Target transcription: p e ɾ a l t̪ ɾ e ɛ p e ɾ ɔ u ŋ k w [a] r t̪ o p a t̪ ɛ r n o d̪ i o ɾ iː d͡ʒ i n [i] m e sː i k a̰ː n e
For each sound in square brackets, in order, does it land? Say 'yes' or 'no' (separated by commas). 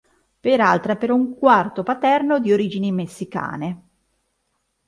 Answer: yes, yes